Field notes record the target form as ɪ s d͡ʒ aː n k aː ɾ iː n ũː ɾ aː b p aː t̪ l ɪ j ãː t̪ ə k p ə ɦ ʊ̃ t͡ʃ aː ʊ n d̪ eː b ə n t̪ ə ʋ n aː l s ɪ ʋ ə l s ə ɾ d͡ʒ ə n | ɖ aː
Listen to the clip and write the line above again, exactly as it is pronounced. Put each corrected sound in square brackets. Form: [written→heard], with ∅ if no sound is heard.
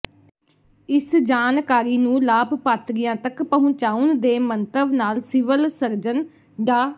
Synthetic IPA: ɪ s d͡ʒ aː n k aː ɾ iː n ũː [ɾ→l] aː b p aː t̪ [l→ɾ] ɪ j ãː t̪ ə k p ə ɦ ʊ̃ t͡ʃ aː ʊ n d̪ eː [b→m] ə n t̪ ə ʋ n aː l s ɪ ʋ ə l s ə ɾ d͡ʒ ə n | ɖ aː